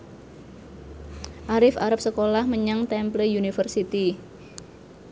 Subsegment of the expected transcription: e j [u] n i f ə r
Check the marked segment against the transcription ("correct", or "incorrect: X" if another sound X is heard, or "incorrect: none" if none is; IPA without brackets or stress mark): correct